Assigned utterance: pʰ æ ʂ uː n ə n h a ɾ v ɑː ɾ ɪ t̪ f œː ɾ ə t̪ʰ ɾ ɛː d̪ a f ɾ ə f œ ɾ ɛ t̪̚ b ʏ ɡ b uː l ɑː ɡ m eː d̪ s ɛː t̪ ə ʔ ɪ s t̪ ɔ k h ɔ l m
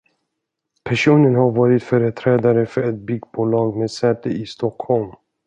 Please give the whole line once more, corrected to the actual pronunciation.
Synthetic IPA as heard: pʰ æ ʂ uː n ə n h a ɾ v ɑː ɾ ɪ t̪ f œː ɾ ə t̪ʰ ɾ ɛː d̪ a ɾ ə f œ ɾ ɛ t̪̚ b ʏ ɡ b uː l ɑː ɡ m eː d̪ s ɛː t̪ ə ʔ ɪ s t̪ ɔ k h ɔ l m

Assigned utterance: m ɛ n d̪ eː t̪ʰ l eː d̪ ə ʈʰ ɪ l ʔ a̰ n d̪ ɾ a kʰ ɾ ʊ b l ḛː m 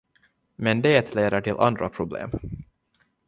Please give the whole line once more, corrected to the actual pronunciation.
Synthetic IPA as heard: m ɛ n d̪ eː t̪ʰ l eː d̪ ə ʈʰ ɪ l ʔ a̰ n d̪ ɾ a pʰ ɾ ʊ b l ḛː m

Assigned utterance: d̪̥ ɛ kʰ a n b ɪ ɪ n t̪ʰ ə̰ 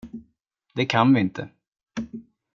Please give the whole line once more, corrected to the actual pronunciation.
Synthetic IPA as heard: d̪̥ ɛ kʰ a n v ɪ ɪ n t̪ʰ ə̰

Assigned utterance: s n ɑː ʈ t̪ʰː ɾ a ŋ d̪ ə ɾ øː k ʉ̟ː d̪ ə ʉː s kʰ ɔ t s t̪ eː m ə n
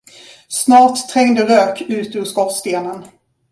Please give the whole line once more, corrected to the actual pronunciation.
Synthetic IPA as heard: s n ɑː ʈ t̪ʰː ɾ ɛ ŋ d̪ ə ɾ øː k ʉ̟ː t̪ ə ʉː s k ɔ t s t̪ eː n ə n

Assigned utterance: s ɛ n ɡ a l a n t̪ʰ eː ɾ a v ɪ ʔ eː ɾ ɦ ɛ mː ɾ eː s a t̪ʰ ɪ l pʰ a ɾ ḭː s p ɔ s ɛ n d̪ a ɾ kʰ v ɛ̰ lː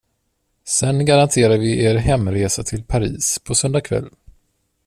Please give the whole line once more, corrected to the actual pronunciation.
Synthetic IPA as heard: s ɛ n ɡ a ɾ a n t̪ʰ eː ɾ a v ɪ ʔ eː ɾ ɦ ɛ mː ɾ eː s a t̪ʰ ɪ l pʰ a ɾ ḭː s pʰ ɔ s œ n d̪ a kʰ v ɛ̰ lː

